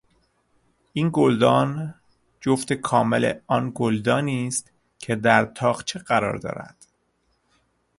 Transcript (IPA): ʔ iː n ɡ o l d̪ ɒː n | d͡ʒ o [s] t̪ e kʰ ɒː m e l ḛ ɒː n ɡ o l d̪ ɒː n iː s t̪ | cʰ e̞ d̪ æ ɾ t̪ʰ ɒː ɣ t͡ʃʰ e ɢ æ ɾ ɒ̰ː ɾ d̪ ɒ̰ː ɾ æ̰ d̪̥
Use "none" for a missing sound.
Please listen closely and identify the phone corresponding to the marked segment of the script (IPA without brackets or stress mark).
f